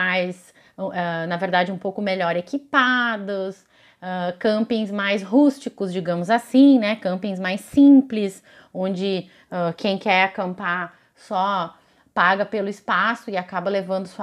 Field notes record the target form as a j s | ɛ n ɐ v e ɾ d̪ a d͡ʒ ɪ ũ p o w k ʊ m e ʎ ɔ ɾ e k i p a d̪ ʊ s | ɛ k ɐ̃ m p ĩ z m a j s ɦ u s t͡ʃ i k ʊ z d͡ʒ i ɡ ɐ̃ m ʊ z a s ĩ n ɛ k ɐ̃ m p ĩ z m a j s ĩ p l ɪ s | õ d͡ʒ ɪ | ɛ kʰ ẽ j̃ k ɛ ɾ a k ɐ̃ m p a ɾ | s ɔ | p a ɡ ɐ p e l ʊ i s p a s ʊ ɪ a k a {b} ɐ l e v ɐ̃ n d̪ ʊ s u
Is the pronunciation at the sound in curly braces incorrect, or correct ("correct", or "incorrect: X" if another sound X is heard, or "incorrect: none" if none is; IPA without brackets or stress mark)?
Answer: correct